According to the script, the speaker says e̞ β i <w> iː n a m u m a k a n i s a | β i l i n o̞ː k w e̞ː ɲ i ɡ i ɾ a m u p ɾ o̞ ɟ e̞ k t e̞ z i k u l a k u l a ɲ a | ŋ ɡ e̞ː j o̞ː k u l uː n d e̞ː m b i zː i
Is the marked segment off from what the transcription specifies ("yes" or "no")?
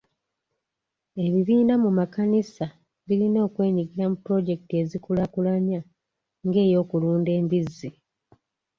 yes